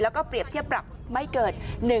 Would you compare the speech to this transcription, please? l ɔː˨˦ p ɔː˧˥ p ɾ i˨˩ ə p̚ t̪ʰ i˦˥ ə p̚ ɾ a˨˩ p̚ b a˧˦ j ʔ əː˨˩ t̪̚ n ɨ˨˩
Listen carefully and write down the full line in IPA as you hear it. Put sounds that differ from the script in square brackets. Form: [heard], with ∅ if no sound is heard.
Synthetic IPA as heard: l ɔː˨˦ [k] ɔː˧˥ p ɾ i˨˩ ə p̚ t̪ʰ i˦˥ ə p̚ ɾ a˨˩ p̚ [m] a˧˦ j [k] əː˨˩ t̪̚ n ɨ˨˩